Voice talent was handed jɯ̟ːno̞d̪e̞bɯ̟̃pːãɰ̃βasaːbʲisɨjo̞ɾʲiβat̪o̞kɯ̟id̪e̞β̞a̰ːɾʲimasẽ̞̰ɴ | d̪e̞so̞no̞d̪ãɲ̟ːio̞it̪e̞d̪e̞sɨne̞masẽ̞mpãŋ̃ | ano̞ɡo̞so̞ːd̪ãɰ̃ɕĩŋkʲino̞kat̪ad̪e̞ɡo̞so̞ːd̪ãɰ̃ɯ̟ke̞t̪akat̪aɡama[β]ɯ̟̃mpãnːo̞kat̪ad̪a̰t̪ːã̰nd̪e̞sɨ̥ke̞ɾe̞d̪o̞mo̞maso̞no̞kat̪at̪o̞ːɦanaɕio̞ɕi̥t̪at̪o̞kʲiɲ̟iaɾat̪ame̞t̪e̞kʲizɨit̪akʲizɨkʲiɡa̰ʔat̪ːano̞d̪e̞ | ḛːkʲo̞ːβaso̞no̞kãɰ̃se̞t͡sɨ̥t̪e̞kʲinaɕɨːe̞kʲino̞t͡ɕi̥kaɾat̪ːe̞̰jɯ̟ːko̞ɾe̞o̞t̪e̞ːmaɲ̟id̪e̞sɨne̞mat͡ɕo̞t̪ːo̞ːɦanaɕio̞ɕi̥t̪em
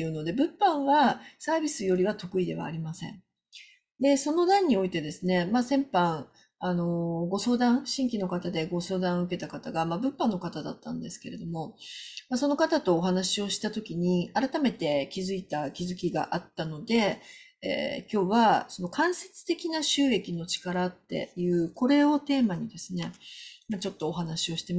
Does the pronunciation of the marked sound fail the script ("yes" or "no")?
yes